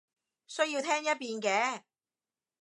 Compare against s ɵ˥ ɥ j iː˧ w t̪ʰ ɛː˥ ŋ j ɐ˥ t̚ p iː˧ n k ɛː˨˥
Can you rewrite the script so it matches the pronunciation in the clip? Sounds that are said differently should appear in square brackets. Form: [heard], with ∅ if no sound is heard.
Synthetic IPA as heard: s ɵ˥ ɥ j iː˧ w t̪ʰ ɛː˥ ŋ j ɐ˥ t̚ p iː˧ n k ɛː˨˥